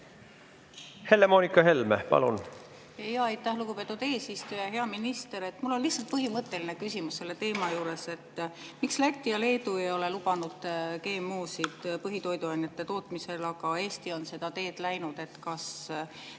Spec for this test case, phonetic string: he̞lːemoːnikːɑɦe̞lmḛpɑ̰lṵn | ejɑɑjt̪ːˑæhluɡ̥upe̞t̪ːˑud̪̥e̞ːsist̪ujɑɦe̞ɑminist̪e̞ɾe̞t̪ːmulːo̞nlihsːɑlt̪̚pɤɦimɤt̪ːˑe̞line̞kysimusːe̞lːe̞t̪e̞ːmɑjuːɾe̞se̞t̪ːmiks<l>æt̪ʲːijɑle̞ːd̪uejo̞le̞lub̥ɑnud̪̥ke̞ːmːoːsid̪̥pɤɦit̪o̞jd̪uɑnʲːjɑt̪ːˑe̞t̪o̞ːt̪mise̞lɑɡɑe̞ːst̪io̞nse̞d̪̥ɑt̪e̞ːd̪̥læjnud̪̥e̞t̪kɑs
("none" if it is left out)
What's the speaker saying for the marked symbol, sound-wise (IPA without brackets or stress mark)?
l